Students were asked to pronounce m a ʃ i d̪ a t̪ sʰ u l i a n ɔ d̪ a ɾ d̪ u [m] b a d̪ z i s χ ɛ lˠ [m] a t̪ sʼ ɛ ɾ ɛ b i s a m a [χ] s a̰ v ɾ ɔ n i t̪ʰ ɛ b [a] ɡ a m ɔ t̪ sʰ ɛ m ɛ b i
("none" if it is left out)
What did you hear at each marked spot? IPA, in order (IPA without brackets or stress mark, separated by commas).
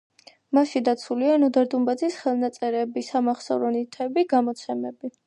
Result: m, n, χ, i